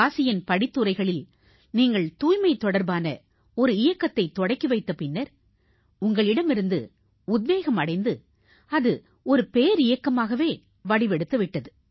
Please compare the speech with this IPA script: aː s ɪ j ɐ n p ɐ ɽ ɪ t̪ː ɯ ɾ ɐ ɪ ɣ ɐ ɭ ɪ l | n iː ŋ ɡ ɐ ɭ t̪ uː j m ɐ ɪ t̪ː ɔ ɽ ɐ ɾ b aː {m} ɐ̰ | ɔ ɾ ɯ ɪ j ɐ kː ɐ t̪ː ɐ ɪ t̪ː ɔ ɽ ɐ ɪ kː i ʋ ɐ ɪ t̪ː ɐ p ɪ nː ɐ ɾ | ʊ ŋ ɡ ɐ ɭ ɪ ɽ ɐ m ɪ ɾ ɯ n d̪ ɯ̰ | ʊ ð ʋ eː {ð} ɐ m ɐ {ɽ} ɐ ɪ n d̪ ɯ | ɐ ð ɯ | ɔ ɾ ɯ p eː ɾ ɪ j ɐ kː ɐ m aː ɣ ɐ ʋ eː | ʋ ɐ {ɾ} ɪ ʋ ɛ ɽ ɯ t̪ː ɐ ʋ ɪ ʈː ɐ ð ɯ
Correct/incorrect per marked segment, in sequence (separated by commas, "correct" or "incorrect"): incorrect, incorrect, correct, incorrect